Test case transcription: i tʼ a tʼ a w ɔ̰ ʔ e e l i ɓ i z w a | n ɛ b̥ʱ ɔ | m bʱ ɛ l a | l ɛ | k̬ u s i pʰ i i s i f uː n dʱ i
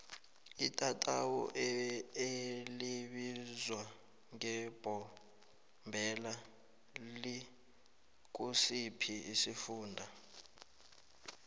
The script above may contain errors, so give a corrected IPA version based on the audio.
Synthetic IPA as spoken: i tʼ a tʼ a w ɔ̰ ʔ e e l i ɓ i z w a | ŋ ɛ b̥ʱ ɔ | m bʱ ɛ l a | l i | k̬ u s i pʰ i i s i f uː n dʱ a